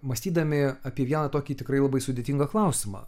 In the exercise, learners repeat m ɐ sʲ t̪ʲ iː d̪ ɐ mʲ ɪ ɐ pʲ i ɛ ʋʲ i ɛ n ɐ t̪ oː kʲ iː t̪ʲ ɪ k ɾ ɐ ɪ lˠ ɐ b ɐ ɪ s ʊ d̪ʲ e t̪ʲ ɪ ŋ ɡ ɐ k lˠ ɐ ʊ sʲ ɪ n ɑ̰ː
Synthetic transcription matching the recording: m ɐ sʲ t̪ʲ iː d̪ ɐ mʲ ɪ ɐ pʲ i ɛ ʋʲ i ɛ n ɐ t̪ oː kʲ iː t̪ʲ ɪ k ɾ ɐ ɪ lˠ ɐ b ɐ ɪ s ʊ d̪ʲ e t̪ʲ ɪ ŋ ɡ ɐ k lˠ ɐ ʊ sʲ ɪ m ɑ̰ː

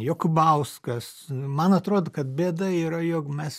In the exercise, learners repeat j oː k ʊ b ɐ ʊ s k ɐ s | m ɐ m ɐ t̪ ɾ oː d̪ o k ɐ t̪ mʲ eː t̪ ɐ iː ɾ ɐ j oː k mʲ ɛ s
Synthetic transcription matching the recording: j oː k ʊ b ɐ ʊ s k ɐ s | m ɐ n ɐ t̪ ɾ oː d̪ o k ɐ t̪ bʲ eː d̪ ɐ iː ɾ ɐ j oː k mʲ ɛ s

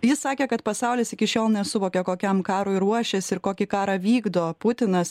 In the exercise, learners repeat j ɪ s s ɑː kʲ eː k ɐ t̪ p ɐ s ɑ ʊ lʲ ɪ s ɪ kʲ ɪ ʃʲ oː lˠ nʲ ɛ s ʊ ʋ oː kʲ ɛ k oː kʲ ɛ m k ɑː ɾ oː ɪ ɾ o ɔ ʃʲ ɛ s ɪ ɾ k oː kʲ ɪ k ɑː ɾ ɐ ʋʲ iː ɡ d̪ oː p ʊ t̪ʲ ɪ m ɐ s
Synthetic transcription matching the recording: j ɪ s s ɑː kʲ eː k ɐ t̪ p ɐ s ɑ ʊ lʲ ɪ s ɪ kʲ ɪ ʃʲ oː lˠ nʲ ɛ s ʊ ʋ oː kʲ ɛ k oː kʲ ɛ m k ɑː ɾ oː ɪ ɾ u ɔ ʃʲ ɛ s ɪ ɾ k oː kʲ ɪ k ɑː ɾ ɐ ʋʲ iː ɡ d̪ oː p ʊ t̪ʲ ɪ n ɐ s

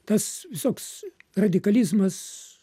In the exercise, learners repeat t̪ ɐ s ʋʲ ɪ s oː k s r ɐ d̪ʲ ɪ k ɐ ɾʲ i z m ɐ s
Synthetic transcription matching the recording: t̪ ɐ s ʋʲ ɪ s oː k s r ɐ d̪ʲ ɪ k ɐ lʲ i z m ɐ s

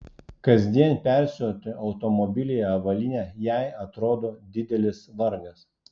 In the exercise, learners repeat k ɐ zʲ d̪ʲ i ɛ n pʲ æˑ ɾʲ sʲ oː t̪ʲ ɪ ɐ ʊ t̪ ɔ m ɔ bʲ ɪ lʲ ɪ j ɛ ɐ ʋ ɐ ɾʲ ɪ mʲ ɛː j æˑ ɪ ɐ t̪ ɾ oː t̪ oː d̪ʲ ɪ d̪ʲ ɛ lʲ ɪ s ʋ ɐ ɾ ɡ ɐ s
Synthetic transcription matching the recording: k ɐ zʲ d̪ʲ i ɛ n pʲ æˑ ɾʲ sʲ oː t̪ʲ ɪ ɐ ʊ t̪ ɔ m ɔ bʲ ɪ lʲ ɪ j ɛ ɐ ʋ ɐ lʲ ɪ nʲ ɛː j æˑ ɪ ɐ t̪ ɾ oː d̪ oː d̪ʲ ɪ d̪ʲ ɛ lʲ ɪ s ʋ ɐ ɾ ɡ ɐ s

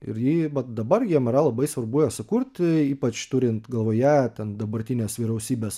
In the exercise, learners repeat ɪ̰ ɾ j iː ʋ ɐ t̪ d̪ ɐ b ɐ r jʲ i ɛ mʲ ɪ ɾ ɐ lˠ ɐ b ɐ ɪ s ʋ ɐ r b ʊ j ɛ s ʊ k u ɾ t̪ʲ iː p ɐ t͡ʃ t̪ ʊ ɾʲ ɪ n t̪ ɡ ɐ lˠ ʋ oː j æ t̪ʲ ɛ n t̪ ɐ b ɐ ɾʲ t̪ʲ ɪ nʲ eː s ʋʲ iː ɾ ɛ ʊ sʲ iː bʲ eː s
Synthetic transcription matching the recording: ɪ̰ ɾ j iː ʋ ɐ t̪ d̪ ɐ b ɐ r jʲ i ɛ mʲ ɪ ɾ ɐ lˠ ɐ b ɐ ɪ s ʋ ɐ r b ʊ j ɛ s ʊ k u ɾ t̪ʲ iː p ɐ t͡ʃ t̪ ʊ ɾʲ ɪ n t̪ ɡ ɐ lˠ ʋ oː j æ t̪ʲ ɛ n d̪ ɐ b ɐ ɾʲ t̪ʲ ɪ nʲ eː s ʋʲ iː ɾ ɛ ʊ sʲ iː bʲ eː s

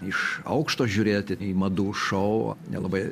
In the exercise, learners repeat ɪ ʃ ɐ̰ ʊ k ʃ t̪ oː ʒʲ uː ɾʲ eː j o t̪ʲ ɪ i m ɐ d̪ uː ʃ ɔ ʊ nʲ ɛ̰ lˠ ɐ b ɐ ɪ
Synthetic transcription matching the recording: ɪ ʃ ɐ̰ ʊ k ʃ t̪ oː ʒʲ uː ɾʲ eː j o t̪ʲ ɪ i m ɐ d̪ uː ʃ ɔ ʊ nʲ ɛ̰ lˠ ɐ b ɐ ɪ

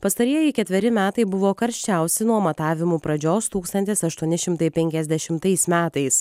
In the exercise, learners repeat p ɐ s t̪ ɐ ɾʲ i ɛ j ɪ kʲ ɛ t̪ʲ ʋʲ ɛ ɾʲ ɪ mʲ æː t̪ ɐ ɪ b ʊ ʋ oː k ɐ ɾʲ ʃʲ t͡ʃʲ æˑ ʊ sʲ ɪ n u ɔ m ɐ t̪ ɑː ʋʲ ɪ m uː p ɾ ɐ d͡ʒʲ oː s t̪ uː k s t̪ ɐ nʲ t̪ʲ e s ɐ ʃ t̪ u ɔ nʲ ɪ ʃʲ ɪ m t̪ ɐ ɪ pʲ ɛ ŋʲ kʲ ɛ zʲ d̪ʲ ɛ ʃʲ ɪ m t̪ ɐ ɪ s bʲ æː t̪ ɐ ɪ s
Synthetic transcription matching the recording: p ɐ s t̪ ɐ ɾʲ i ɛ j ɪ kʲ ɛ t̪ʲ ʋʲ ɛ ɾʲ ɪ mʲ æː t̪ ɐ ɪ b ʊ ʋ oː k ɐ ɾʲ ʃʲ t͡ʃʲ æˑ ʊ sʲ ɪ n u ɔ m ɐ t̪ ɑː ʋʲ ɪ m uː p ɾ ɐ d͡ʒʲ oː s t̪ uː k s t̪ ɐ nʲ t̪ʲ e s ɐ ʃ t̪ u ɔ nʲ ɪ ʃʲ ɪ m t̪ ɐ ɪ pʲ ɛ ŋʲ kʲ ɛ zʲ d̪ʲ ɛ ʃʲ ɪ m t̪ ɐ ɪ s mʲ æː t̪ ɐ ɪ s

